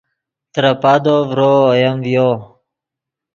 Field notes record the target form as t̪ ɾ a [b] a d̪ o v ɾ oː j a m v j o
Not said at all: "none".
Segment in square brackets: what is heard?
p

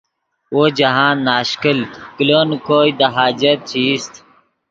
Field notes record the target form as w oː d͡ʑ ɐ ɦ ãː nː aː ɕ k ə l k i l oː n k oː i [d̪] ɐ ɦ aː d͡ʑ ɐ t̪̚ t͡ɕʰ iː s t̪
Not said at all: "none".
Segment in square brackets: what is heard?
d̪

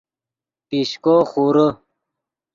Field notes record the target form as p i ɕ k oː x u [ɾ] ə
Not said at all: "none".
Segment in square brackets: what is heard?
ɾ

